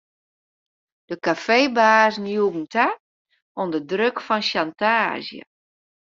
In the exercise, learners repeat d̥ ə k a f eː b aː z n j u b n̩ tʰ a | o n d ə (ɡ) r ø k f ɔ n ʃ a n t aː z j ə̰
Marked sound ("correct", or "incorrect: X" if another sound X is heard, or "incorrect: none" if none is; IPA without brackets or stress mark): incorrect: d